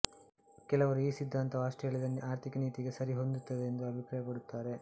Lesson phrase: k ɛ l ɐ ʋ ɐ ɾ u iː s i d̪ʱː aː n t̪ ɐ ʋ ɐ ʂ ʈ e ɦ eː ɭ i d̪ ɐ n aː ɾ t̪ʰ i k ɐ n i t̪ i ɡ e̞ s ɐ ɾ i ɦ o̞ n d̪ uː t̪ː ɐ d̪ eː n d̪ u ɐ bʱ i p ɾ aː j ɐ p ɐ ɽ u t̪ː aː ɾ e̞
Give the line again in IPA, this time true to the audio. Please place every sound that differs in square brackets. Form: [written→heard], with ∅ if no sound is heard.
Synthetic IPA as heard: k ɛ l ɐ ʋ ɐ ɾ u iː s i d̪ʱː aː n t̪ ɐ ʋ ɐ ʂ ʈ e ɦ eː ɭ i d̪ ɐ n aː ɾ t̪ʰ i k ɐ n [i→iː] t̪ i ɡ e̞ s ɐ ɾ i ɦ o̞ n d̪ [uː→u] t̪ː ɐ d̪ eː n d̪ u ɐ bʱ i p ɾ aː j ɐ p ɐ ɽ u t̪ː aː ɾ e̞